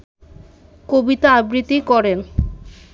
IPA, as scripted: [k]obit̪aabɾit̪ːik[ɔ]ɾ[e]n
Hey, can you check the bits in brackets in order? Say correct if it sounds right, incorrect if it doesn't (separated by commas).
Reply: correct, correct, correct